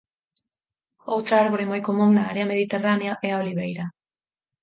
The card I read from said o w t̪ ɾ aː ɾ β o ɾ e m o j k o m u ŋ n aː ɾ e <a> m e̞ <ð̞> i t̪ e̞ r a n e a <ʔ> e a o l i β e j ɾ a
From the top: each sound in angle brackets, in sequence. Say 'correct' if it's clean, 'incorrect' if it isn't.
correct, correct, correct

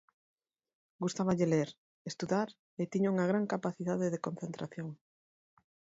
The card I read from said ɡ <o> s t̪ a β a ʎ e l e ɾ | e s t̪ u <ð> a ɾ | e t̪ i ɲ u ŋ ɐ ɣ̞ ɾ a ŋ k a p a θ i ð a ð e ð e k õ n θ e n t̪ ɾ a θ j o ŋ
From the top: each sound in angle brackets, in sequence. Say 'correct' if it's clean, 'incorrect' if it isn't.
incorrect: u, correct

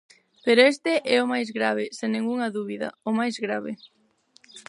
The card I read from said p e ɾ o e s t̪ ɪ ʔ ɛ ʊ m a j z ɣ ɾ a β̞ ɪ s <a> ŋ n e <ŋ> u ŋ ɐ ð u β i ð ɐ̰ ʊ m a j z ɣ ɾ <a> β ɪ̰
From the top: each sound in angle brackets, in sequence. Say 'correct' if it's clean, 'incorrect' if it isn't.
incorrect: e, correct, correct

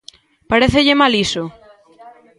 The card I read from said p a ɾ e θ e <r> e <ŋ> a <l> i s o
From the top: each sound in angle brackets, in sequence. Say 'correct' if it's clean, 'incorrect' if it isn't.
incorrect: ʎ, incorrect: m, correct

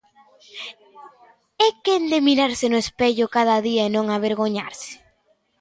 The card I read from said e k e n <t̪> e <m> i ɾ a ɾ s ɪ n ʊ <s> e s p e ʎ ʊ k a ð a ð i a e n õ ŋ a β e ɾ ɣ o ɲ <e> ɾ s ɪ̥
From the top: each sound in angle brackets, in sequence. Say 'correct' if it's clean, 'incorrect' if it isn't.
incorrect: d̪, correct, incorrect: none, incorrect: a

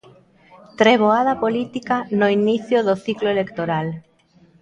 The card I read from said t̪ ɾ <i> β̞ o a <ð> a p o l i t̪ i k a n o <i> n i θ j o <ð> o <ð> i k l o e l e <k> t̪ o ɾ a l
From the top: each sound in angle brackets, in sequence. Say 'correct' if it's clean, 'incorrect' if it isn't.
incorrect: e, correct, correct, correct, incorrect: θ, correct

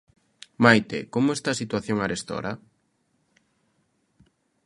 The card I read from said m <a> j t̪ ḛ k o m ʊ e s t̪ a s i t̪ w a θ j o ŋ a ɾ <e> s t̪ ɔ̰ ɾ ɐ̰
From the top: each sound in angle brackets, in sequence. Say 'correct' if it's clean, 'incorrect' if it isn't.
correct, correct

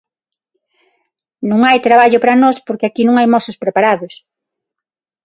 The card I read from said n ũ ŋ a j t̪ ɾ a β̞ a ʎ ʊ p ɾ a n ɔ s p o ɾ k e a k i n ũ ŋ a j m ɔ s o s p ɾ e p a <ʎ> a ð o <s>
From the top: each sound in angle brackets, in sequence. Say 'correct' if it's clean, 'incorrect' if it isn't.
incorrect: ɾ, correct

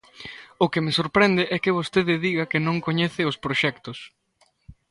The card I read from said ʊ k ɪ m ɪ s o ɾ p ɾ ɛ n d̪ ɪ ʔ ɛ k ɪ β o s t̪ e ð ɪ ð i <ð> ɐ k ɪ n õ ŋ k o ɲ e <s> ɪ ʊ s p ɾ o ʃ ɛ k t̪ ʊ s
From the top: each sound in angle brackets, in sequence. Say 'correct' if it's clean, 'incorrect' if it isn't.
incorrect: ɣ, incorrect: θ

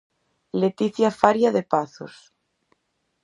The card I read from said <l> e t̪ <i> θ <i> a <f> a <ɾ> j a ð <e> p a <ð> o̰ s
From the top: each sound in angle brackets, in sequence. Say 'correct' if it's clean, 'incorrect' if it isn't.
correct, correct, incorrect: j, correct, correct, correct, incorrect: θ

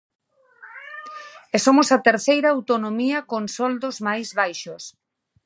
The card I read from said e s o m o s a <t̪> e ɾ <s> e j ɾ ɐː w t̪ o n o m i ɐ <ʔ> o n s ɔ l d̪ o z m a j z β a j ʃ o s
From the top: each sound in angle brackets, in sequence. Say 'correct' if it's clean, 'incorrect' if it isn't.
correct, incorrect: θ, incorrect: k

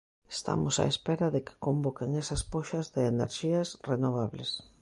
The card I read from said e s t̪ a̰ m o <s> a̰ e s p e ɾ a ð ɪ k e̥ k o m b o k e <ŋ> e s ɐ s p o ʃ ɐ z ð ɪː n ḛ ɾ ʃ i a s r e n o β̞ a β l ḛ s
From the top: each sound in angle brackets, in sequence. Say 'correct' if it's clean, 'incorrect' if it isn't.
correct, correct

